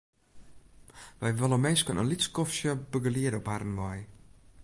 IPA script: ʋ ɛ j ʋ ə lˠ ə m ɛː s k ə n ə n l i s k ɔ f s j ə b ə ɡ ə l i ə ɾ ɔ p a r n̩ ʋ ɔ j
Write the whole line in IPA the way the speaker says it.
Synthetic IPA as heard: ʋ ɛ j ʋ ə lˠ ə m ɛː s k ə n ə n l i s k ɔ f s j ə b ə ɡ ə l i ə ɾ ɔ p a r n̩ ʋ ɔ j